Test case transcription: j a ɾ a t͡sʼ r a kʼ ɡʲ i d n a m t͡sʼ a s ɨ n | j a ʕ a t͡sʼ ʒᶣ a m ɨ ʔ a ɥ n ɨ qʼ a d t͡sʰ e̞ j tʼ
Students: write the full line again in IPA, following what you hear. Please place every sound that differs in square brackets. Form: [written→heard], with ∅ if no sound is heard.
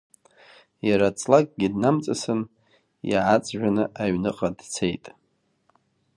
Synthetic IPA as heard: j a ɾ a t͡sʼ [r→l] a kʼ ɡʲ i d n a m t͡sʼ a s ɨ n | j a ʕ a t͡sʼ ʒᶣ a [m→n] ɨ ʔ a ɥ n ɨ qʼ a d t͡sʰ e̞ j tʼ